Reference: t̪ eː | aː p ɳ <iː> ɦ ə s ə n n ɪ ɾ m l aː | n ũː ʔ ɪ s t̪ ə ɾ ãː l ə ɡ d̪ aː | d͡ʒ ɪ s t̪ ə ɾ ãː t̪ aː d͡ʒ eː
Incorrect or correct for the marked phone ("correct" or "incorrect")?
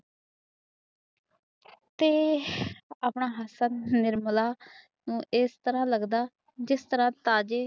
incorrect